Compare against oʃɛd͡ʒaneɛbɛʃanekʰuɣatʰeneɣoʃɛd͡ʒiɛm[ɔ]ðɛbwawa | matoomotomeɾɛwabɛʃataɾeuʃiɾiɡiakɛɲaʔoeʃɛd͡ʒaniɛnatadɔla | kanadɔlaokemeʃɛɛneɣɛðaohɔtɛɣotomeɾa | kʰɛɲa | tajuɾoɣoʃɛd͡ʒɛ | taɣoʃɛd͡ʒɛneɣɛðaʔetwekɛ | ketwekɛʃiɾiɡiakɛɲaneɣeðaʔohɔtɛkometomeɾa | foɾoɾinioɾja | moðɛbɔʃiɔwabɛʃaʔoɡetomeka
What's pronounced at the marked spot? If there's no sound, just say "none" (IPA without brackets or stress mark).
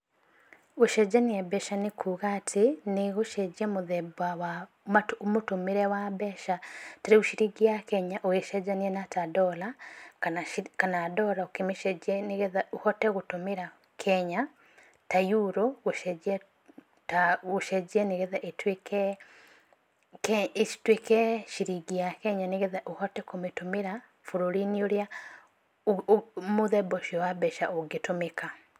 o